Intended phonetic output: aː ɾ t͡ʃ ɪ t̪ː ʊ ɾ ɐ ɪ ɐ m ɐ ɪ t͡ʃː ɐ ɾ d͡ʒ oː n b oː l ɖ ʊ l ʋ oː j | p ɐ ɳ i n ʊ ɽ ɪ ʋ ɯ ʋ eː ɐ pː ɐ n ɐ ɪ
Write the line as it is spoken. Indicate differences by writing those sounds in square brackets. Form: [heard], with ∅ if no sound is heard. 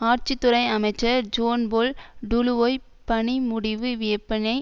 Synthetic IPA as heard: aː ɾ t͡ʃ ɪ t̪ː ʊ ɾ ɐ ɪ ɐ m ɐ ɪ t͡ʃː ɐ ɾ d͡ʒ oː n b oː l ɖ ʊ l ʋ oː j | p ɐ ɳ i [m] ʊ ɽ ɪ ʋ ɯ ʋ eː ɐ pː ɐ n ɐ ɪ